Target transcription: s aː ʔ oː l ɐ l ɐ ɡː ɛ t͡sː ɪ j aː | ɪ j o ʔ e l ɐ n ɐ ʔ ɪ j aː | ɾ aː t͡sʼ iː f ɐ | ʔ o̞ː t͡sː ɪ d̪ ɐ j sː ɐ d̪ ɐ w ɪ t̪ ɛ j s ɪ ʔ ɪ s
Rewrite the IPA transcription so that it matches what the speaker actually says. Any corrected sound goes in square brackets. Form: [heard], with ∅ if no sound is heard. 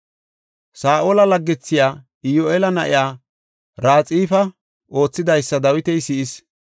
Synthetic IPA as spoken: s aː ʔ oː l ɐ l ɐ ɡː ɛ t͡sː ɪ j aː | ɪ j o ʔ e l ɐ n ɐ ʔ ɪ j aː | ɾ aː t͡sʼ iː f ɐ | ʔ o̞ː t͡sː ɪ d̪ ɐ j sː ɐ d̪ ɐ w ɪ t̪ ɛ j s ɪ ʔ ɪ s